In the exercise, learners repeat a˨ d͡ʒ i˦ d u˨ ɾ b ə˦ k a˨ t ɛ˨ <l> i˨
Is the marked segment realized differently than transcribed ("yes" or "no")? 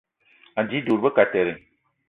yes